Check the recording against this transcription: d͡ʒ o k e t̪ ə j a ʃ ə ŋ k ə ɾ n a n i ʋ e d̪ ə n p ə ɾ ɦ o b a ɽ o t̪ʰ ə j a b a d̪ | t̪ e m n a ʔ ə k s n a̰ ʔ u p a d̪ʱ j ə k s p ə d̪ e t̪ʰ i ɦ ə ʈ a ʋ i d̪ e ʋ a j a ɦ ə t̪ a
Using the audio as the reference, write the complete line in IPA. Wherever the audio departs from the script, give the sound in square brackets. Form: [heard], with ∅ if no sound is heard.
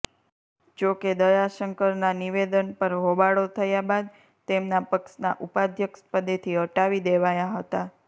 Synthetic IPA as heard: d͡ʒ o k e [d̪] ə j a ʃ ə ŋ k ə ɾ n a n i ʋ e d̪ ə n p ə ɾ ɦ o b a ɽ o t̪ʰ ə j a b a d̪ | t̪ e m n a [p] ə k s n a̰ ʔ u p a d̪ʱ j ə k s p ə d̪ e t̪ʰ i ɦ ə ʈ a ʋ i d̪ e ʋ a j a ɦ ə t̪ a